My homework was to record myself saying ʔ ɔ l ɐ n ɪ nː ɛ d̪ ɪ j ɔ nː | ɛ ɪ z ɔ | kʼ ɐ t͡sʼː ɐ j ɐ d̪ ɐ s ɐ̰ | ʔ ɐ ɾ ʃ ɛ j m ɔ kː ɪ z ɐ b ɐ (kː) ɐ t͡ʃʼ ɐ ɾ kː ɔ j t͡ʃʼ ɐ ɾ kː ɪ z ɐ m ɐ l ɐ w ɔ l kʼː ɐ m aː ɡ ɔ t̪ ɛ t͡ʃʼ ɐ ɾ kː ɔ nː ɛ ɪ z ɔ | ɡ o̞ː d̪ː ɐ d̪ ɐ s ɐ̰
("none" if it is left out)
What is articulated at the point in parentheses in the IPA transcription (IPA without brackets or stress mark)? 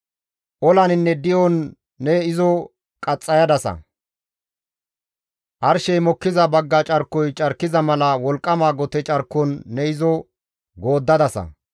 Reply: ɡː